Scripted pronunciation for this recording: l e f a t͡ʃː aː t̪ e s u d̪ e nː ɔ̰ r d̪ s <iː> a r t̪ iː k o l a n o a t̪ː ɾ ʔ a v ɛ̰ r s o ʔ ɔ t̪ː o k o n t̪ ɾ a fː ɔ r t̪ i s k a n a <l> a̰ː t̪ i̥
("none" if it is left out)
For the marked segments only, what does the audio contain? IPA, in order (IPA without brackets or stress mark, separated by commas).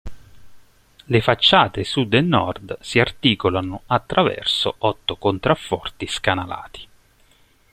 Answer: i, l